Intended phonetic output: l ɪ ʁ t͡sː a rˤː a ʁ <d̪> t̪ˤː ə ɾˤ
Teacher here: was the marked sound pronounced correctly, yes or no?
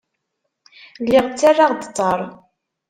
yes